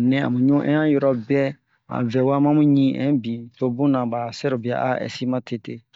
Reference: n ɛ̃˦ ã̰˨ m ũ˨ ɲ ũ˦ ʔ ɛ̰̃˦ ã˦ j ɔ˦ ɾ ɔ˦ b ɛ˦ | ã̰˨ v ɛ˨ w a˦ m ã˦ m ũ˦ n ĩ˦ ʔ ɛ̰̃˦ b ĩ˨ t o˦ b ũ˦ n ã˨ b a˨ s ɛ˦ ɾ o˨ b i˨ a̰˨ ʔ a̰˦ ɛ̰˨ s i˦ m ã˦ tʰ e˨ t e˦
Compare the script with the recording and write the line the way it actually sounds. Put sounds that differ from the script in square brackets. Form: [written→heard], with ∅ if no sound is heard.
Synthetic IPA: n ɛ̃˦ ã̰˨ m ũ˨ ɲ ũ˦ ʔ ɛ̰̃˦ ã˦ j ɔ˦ ɾ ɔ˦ b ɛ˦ | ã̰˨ v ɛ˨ w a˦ m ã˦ m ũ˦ [n→ɲ] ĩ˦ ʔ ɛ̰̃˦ b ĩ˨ t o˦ b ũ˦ n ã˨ b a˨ s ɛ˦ ɾ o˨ b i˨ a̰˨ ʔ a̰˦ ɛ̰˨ s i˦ m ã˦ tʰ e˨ t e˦